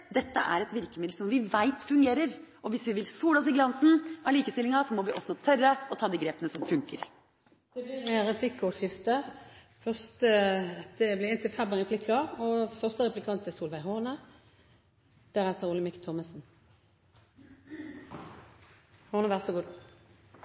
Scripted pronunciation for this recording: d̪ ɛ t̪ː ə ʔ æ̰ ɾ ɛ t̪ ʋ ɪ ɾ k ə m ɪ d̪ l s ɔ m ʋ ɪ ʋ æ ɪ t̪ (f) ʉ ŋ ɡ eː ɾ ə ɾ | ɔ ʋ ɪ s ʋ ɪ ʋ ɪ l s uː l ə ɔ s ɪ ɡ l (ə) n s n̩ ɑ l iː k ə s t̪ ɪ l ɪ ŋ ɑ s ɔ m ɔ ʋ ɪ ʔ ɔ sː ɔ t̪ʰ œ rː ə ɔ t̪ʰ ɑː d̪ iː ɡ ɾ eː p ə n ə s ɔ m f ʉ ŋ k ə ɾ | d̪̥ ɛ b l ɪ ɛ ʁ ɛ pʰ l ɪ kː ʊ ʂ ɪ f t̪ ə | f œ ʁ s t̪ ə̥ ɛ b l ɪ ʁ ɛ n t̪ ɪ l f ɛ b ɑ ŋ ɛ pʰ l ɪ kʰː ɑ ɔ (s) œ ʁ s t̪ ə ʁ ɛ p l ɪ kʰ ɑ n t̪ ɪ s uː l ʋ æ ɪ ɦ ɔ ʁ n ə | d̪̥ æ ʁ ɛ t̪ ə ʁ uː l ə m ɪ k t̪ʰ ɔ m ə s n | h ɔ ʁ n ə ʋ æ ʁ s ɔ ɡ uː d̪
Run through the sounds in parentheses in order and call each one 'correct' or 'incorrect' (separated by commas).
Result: correct, incorrect, incorrect